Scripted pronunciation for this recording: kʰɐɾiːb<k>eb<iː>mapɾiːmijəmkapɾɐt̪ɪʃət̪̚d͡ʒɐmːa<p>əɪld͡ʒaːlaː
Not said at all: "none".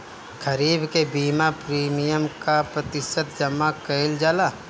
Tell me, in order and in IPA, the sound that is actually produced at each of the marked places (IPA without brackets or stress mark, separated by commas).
k, iː, k